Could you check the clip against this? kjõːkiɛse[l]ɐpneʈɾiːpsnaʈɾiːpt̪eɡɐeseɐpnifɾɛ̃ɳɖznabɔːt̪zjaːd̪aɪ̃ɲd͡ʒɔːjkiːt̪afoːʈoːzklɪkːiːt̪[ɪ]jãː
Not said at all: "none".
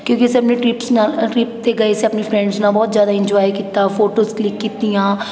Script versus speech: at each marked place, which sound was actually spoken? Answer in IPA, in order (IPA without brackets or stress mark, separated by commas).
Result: none, i